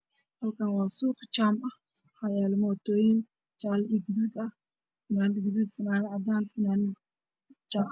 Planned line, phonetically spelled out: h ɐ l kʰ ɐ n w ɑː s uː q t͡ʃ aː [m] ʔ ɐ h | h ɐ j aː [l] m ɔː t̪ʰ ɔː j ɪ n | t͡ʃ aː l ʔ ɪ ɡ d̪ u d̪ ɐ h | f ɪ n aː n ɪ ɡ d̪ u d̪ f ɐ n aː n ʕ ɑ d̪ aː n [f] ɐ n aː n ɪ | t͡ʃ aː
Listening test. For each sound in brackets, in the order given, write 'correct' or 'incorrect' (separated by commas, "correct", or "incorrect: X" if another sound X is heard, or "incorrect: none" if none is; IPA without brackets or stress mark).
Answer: correct, correct, correct